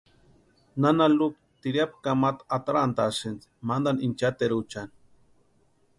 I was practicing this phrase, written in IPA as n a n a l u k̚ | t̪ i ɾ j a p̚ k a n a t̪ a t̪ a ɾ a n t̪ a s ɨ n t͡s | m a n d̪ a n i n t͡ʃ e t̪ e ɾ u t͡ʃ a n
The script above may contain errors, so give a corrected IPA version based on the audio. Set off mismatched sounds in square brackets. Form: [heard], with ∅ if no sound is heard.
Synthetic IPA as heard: n a n a l u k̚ | t̪ i ɾ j a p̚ k a [m] a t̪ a t̪ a ɾ a n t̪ a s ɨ n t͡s | m a n d̪ a n i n t͡ʃ [a] t̪ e ɾ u t͡ʃ a n